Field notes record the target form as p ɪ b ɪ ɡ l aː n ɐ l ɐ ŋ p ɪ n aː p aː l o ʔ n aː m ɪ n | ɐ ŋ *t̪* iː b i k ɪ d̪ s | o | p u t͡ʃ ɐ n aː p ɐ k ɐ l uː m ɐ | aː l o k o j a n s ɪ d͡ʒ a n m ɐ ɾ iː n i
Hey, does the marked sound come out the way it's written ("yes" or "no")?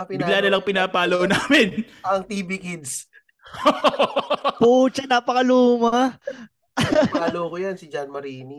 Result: yes